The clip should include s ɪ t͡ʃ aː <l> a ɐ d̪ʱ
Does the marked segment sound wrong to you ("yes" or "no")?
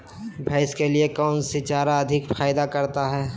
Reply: yes